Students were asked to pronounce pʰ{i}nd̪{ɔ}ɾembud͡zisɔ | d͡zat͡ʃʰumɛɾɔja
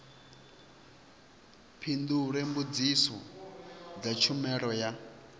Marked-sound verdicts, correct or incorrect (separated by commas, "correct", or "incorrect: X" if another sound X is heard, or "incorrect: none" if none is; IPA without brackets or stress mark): correct, incorrect: u